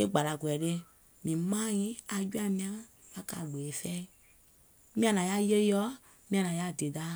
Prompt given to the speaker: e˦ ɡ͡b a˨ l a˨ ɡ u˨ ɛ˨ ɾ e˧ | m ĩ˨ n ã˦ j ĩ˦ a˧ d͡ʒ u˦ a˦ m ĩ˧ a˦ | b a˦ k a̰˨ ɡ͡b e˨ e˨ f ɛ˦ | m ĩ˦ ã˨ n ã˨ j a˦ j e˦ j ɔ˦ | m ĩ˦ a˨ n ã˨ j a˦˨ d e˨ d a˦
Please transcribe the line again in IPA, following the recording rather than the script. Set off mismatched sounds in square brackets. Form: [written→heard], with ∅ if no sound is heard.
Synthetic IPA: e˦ ɡ͡b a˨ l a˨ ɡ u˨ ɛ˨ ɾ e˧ | m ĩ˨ [n→m] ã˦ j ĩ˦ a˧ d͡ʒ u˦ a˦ m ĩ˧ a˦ | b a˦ k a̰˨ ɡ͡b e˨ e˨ f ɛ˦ | m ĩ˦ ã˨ n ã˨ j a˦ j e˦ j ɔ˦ | m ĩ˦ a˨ n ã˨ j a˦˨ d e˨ d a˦

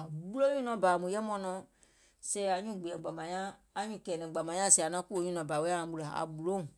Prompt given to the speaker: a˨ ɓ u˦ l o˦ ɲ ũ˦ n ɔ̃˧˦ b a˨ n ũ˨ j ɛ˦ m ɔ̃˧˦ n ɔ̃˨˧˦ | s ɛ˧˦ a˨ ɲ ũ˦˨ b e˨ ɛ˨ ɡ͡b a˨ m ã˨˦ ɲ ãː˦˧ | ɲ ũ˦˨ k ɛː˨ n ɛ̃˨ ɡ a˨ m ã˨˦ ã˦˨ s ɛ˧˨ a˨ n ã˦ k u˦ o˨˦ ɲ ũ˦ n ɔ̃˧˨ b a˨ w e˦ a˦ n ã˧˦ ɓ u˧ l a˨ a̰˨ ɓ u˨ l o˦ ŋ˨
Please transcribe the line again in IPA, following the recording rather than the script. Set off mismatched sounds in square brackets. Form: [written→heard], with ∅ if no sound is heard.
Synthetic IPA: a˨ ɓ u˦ l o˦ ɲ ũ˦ n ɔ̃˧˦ b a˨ [n→m] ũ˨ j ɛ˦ m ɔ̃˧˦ n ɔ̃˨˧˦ | s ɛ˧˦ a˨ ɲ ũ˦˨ [b→ɡ͡b] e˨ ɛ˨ ɡ͡b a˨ m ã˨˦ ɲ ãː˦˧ | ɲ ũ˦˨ k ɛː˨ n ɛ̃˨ [ɡ→ɡ͡b] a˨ m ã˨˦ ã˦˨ s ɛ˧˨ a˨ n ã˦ k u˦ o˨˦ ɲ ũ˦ n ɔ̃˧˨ b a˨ w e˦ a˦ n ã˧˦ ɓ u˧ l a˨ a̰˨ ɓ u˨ l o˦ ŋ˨

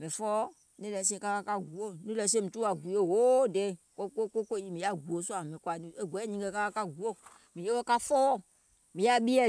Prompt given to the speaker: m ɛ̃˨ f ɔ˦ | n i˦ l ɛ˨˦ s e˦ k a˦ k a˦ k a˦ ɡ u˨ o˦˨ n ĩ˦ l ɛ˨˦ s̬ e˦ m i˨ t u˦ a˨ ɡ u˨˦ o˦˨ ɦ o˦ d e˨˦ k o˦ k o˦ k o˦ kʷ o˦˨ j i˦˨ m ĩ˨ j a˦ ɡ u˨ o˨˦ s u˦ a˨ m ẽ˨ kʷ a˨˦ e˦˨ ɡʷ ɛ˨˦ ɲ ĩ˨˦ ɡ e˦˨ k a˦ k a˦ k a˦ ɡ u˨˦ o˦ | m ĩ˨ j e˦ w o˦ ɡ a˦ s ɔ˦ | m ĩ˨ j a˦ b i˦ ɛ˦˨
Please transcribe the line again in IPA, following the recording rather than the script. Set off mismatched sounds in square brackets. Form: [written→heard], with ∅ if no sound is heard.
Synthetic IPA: m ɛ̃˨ f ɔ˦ | n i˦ l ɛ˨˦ s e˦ k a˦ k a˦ k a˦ ɡ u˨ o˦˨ n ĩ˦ l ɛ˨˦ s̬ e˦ m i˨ t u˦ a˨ ɡ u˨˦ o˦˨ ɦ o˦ d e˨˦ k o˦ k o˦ k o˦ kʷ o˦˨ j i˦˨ m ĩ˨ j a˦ ɡ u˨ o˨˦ s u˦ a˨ m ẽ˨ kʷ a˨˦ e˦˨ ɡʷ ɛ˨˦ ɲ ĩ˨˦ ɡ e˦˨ k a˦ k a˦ k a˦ ɡ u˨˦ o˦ | m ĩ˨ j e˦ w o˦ [ɡ→k] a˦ [s→f] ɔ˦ | m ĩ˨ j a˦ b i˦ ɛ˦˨

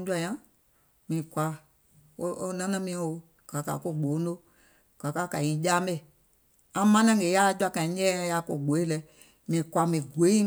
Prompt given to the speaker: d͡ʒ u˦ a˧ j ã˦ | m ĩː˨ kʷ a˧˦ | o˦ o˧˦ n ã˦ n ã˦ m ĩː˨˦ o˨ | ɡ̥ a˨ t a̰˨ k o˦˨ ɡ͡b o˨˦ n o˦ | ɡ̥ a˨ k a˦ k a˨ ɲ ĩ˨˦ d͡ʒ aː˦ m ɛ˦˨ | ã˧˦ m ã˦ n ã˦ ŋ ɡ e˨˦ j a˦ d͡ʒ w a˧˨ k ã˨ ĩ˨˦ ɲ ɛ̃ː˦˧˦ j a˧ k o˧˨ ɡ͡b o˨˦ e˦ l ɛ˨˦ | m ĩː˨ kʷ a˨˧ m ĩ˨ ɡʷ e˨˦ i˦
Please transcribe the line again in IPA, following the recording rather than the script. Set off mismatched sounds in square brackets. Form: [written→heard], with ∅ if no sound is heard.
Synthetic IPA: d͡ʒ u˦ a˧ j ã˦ | m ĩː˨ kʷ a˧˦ | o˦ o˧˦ n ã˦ n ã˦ m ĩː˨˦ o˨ | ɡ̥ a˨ [t→k] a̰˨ k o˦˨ ɡ͡b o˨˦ n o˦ | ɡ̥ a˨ k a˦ k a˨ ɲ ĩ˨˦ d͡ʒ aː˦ m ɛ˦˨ | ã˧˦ m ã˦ n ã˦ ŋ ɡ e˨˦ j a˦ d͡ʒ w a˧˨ k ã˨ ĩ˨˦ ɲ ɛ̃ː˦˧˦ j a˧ k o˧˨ ɡ͡b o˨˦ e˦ l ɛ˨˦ | m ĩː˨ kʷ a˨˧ m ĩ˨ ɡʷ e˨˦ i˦

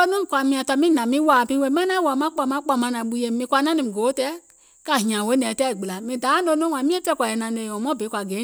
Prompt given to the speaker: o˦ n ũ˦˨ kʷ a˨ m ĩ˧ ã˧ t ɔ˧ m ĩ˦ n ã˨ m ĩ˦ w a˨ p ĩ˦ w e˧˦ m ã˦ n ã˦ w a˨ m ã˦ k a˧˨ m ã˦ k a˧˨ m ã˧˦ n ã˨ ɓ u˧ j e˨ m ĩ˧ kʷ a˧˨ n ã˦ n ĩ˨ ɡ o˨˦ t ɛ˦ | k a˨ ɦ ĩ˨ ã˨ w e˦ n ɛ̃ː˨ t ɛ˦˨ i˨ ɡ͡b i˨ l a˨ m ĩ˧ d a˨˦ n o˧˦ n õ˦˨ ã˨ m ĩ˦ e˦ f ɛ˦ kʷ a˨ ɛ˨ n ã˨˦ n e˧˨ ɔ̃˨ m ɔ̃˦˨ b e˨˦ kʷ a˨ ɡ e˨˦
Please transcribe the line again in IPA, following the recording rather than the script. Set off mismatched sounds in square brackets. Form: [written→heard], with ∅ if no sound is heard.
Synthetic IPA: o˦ n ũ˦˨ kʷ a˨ m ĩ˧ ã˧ t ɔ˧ m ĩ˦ n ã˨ m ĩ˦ w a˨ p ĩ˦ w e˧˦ m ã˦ n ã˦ w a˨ m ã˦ [k→k͡p] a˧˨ m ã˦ [k→k͡p] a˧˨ m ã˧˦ n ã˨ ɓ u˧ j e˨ m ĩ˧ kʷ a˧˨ n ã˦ n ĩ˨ ɡ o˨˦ t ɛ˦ | k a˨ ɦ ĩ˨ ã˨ w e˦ n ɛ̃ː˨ t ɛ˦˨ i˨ ɡ͡b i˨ l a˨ m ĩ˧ d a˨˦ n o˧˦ n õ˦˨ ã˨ m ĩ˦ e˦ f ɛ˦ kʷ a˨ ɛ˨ n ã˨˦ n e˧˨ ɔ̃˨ m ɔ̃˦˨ b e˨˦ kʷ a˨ ɡ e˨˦

